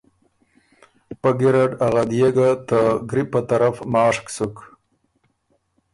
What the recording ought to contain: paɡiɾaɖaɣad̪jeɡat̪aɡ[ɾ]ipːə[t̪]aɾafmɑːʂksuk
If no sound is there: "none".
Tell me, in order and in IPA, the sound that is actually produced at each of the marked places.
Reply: ɾ, t̪

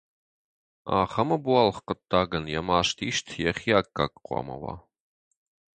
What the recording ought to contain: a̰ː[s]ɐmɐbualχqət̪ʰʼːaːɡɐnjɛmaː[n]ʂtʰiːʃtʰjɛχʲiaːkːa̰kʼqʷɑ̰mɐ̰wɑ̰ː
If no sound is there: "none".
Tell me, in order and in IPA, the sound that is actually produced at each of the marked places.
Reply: χ, none

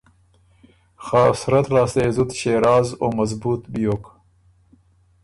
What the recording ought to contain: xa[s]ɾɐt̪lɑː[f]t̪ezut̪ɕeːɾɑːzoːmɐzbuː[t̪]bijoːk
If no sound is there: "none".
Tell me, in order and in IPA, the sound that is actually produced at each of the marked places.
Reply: s, s, t̪

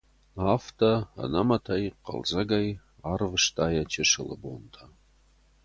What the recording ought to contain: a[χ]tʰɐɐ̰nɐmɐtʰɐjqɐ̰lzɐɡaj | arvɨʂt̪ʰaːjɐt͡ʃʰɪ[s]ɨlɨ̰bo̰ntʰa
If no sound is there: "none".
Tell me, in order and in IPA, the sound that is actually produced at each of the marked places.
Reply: f, ʂ

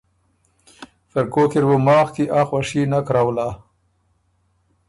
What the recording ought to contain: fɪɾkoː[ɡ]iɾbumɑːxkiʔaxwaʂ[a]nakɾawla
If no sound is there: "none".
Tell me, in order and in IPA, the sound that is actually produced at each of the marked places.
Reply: k, i

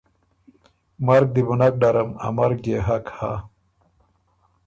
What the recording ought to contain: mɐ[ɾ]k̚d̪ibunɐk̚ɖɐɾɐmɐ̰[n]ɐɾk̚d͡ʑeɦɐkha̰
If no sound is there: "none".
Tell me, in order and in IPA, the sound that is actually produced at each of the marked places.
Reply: ɾ, m

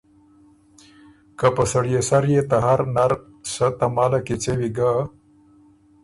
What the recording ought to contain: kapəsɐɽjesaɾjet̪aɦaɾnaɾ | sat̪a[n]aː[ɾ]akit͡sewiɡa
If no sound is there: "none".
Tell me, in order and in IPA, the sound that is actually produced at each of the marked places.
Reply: m, l

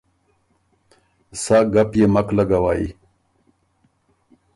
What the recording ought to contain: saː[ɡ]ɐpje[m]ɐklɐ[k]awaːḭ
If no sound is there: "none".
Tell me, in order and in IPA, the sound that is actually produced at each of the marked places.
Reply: ɡ, m, ɡ

